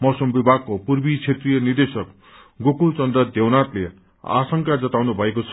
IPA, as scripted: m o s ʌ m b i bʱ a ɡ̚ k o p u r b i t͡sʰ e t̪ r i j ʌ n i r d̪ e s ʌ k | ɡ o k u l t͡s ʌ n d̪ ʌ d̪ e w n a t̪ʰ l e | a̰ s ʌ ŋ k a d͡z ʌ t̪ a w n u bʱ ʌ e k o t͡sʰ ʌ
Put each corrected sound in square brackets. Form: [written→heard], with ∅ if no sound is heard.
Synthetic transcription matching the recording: m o s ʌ m b i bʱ a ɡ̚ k o p u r b i t͡sʰ e t̪ r i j ʌ n i r d̪ e s ʌ k | ɡ o k u l t͡s ʌ n d̪ ʌ d̪ e w n a [t̪ʰ→t̪] l e | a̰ s ʌ ŋ k a d͡z ʌ t̪ a w n u bʱ ʌ e k o t͡sʰ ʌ